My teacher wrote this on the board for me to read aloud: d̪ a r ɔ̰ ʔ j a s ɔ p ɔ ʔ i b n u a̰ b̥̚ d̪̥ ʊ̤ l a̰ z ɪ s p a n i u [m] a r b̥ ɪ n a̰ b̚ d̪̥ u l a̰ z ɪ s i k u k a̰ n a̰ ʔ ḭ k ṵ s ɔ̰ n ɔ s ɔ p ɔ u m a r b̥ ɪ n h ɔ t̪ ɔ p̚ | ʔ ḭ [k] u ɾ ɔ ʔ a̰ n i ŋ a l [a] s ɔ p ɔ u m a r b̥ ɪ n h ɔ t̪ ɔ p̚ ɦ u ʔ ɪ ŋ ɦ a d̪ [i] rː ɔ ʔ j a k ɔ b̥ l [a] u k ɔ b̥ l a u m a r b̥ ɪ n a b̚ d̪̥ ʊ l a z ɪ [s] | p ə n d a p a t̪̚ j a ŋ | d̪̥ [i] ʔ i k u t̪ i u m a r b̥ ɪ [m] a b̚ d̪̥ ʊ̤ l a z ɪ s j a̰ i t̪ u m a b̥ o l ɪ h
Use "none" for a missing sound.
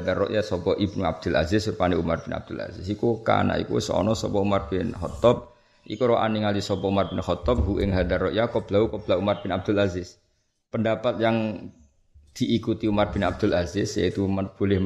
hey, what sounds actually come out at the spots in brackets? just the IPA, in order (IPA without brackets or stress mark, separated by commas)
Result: m, k, i, a, a, s, i, n